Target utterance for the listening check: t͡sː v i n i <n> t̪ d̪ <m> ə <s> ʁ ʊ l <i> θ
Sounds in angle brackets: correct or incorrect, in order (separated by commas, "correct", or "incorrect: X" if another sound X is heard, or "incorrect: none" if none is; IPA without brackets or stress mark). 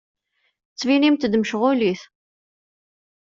incorrect: m, correct, incorrect: ʃ, correct